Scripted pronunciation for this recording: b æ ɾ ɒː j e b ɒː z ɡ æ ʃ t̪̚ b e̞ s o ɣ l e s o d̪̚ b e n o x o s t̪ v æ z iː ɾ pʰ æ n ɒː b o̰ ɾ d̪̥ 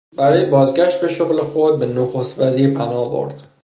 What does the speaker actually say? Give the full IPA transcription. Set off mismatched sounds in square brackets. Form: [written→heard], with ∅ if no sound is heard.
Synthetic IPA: b æ ɾ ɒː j e b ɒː z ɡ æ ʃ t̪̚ b e̞ [s→ʃ] o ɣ l e [s→x] o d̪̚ b e n o x o s t̪ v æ z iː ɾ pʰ æ n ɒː b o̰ ɾ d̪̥